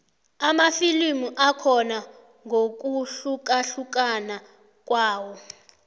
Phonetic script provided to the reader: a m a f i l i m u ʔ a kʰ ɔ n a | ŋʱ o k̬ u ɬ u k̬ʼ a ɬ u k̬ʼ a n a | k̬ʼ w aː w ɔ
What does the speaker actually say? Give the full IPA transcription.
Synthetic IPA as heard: a m a f i l i m u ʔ a kʰ ɔ n a | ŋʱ o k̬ u ɬ u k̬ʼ a ɬ u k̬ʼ a n a | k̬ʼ w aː w ɔ